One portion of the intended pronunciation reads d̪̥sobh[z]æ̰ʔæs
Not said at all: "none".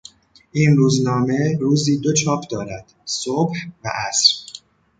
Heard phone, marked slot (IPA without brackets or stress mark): v